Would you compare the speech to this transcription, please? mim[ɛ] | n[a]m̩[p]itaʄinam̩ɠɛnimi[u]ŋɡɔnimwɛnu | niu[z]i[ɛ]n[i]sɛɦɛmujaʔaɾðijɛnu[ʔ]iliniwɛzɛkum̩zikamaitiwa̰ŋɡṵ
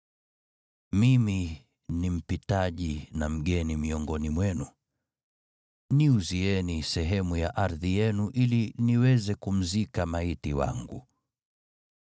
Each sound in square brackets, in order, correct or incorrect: incorrect: i, incorrect: i, correct, incorrect: ɔ, correct, correct, correct, correct

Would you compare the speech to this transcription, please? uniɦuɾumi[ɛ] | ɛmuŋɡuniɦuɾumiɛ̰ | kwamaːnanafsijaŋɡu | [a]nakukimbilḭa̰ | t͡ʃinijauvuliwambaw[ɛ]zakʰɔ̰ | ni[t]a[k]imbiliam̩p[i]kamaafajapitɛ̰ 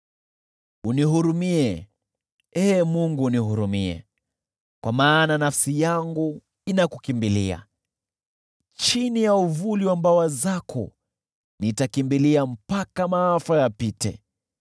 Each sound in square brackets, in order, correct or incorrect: correct, incorrect: i, incorrect: a, correct, correct, incorrect: a

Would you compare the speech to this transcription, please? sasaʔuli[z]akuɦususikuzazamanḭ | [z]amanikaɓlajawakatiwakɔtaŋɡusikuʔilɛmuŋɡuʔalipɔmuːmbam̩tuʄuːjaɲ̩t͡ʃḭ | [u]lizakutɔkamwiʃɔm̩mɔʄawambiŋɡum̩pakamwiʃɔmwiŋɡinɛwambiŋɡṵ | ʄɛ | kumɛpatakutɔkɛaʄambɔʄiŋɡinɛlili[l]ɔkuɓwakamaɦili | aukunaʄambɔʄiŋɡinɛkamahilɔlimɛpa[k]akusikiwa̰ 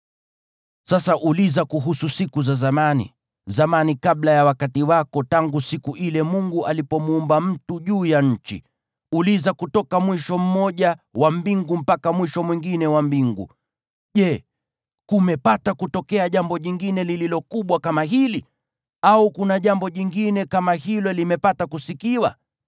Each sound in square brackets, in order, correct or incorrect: correct, correct, correct, correct, incorrect: t

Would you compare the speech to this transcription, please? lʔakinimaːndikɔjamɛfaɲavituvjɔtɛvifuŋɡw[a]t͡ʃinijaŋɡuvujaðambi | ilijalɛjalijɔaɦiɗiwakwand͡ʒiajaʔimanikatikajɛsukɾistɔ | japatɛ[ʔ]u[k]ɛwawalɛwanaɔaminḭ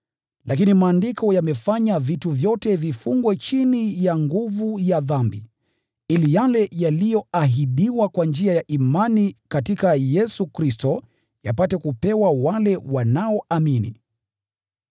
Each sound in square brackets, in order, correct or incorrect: incorrect: ɛ, incorrect: k, incorrect: p

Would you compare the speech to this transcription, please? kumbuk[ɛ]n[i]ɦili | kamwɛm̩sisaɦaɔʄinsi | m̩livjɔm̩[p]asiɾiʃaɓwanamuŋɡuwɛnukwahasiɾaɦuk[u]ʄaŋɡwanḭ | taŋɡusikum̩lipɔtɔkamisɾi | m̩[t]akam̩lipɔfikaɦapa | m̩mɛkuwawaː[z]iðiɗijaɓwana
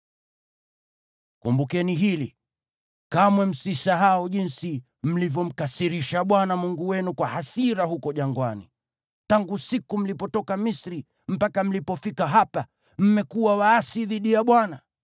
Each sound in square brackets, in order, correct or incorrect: correct, correct, incorrect: k, incorrect: ɔ, incorrect: p, incorrect: s

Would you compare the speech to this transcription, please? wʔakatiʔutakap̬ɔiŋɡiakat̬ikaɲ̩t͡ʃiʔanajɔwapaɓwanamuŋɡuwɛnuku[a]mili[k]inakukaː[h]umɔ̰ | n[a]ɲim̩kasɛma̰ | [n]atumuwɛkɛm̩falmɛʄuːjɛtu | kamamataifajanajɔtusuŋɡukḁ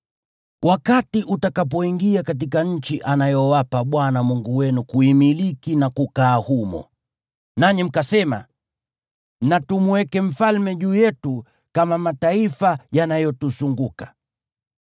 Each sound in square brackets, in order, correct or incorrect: incorrect: i, correct, correct, correct, correct

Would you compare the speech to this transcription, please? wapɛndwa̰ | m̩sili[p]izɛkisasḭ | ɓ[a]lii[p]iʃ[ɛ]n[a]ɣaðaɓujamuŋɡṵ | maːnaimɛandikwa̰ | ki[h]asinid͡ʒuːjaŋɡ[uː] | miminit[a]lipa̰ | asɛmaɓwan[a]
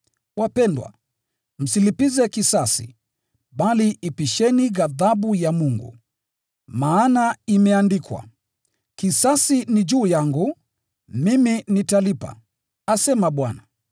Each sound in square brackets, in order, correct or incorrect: correct, correct, correct, correct, incorrect: i, incorrect: s, incorrect: u, correct, correct

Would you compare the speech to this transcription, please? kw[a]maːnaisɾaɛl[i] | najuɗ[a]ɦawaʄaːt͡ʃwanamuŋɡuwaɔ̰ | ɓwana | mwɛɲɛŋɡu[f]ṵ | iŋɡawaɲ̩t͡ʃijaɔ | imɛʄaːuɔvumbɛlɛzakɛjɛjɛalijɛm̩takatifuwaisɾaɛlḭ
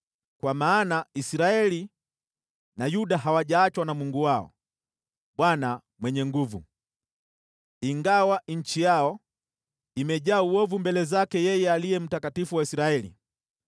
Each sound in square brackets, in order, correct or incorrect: correct, correct, correct, incorrect: v

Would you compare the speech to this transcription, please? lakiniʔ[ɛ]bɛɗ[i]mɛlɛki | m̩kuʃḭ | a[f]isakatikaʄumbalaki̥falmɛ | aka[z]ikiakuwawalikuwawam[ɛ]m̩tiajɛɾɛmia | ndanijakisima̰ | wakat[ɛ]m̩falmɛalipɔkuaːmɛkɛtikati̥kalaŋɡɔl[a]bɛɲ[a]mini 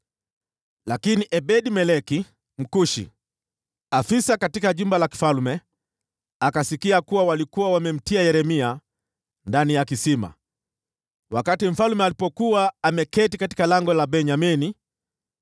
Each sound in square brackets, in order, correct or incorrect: correct, correct, correct, incorrect: s, correct, incorrect: i, correct, correct

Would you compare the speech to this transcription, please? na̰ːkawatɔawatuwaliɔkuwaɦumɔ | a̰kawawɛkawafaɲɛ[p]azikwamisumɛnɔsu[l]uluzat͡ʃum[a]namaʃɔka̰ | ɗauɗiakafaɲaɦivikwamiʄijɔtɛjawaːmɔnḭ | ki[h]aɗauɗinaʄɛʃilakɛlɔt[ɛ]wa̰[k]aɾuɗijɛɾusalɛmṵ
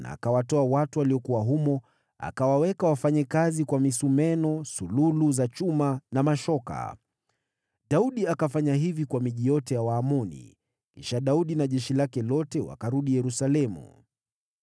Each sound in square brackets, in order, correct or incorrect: incorrect: k, correct, correct, incorrect: ʃ, correct, correct

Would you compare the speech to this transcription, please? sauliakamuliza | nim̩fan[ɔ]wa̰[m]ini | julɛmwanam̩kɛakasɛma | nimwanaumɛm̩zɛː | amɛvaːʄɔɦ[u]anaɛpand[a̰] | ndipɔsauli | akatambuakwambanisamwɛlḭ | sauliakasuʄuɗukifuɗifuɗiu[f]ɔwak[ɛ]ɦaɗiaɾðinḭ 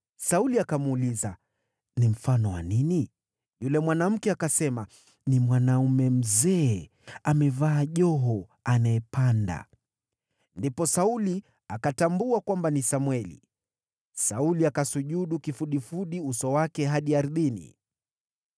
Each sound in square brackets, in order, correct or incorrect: correct, incorrect: n, incorrect: ɔ, correct, incorrect: s, correct

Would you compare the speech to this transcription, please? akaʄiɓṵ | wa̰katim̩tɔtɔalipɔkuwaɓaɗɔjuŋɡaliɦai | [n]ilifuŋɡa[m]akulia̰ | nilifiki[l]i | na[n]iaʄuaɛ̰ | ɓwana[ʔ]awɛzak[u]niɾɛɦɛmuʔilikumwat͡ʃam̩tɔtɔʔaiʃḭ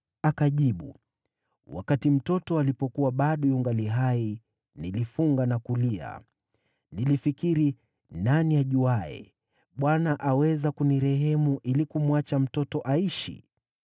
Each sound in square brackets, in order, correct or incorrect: correct, incorrect: n, incorrect: ɾ, correct, correct, correct

